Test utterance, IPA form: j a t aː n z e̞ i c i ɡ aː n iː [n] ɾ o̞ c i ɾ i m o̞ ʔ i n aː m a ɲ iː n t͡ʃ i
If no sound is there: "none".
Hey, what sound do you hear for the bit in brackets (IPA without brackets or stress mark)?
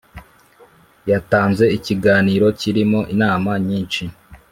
none